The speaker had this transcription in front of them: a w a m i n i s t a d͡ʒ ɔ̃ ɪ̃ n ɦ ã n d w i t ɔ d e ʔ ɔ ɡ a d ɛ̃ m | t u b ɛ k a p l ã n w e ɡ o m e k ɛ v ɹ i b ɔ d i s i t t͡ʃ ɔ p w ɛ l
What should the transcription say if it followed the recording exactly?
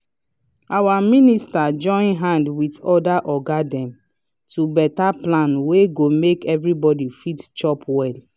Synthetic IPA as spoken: a w a m i n i s t a d͡ʒ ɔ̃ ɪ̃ n ɦ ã n d w i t ɔ d a ʔ ɔ ɡ a d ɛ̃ m | t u b ɛ t a p l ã n w e ɡ o m e k ɛ v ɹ i b ɔ d i f i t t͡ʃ ɔ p w ɛ l